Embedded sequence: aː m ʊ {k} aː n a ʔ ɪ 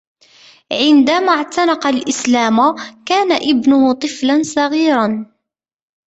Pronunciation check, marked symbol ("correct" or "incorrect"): correct